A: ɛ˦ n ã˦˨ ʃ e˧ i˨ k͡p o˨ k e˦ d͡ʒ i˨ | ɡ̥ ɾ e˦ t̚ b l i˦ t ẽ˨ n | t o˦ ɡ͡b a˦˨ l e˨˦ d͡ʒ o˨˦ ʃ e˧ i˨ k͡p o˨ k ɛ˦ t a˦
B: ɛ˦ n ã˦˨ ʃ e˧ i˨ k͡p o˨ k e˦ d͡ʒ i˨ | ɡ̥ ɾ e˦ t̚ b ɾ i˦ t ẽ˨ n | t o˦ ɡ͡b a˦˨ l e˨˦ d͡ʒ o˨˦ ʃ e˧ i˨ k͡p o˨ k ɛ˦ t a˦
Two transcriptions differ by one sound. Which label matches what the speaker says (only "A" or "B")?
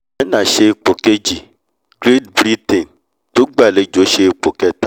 B